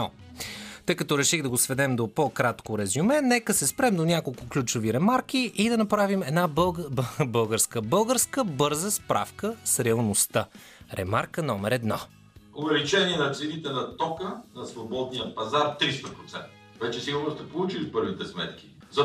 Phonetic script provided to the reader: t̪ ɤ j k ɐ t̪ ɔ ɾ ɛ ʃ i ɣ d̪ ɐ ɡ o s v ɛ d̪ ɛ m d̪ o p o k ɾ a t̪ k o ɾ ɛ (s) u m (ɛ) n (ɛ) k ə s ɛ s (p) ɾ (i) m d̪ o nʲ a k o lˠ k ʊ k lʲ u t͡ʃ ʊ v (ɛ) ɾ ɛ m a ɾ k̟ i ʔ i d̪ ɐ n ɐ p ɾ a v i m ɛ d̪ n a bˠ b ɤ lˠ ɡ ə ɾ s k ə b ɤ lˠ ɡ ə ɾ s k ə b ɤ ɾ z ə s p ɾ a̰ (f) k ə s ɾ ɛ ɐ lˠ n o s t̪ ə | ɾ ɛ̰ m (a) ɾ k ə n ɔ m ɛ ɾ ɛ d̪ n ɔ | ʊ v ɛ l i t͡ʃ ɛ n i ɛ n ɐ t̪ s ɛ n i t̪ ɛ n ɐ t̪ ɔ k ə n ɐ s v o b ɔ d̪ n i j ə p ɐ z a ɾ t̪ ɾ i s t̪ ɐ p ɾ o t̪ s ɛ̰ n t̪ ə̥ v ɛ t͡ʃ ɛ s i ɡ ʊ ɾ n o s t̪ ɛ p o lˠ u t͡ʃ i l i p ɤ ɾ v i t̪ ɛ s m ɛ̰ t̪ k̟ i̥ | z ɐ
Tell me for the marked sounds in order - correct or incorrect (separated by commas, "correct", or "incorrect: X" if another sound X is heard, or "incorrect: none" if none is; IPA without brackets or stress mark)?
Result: incorrect: z, correct, correct, correct, incorrect: ɛ, incorrect: i, correct, correct